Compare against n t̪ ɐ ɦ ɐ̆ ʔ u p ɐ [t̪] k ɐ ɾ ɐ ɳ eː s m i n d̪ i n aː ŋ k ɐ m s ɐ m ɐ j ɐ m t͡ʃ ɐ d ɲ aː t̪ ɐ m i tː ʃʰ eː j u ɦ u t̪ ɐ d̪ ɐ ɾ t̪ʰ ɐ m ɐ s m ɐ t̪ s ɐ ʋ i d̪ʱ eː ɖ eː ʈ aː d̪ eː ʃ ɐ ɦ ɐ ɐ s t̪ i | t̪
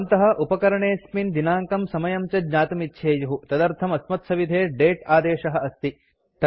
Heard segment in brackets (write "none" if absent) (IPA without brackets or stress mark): none